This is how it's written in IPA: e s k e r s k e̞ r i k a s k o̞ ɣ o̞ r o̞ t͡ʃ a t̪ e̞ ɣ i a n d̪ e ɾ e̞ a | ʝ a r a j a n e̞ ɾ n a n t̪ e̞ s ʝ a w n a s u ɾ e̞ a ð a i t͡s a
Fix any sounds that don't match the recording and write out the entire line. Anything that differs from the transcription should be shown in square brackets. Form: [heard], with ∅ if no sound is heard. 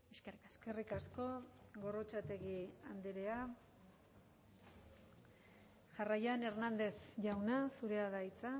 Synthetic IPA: e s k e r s k e̞ r i k a s k o̞ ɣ o̞ r o̞ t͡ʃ a t̪ e̞ ɣ i a n d̪ e ɾ e̞ a | ʝ a r a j a n e̞ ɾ n a n [d̪] e̞ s ʝ a w n a s u ɾ e̞ a ð a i t͡s a